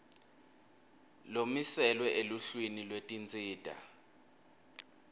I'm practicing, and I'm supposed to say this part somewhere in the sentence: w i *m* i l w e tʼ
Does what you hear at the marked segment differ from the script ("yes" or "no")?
yes